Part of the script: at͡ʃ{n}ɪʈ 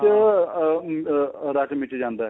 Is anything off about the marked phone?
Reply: yes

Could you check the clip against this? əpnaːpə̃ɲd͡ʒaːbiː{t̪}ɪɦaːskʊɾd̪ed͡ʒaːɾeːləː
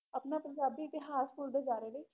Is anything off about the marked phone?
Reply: no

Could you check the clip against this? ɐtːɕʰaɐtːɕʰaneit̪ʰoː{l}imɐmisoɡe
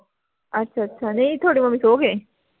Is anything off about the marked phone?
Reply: yes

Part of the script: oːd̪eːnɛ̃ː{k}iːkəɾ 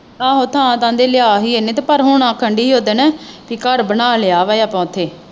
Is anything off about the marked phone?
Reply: yes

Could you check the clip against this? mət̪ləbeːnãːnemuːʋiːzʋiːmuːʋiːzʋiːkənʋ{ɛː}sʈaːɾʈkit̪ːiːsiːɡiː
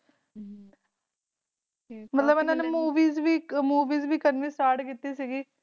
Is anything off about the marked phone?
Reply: yes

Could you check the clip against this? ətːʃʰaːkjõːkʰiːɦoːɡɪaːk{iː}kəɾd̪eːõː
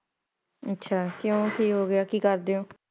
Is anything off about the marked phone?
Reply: no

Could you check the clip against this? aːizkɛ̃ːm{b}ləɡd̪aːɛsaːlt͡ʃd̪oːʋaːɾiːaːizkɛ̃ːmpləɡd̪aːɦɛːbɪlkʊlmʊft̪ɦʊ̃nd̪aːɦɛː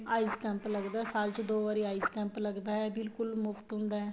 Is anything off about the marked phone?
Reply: yes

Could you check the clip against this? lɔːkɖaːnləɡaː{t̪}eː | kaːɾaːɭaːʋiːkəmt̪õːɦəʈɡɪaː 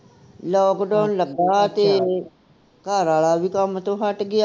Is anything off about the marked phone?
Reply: no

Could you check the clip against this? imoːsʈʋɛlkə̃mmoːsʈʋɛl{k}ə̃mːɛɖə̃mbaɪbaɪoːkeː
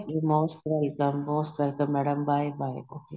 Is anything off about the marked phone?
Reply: no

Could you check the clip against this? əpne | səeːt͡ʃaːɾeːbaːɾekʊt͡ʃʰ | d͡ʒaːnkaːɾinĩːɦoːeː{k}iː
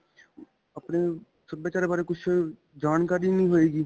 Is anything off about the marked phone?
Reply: yes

